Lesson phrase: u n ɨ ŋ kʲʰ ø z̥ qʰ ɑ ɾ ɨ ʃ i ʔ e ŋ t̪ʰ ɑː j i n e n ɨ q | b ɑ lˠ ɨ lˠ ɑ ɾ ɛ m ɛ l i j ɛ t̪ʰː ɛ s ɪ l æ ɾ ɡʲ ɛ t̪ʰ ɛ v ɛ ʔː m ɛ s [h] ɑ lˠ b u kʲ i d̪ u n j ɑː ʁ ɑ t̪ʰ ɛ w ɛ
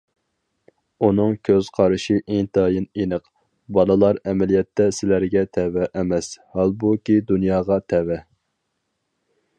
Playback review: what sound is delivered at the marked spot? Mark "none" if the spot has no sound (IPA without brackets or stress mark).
h